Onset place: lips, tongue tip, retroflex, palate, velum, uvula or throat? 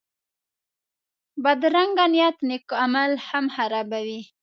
lips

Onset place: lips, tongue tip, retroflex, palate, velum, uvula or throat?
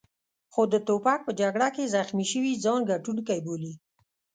velum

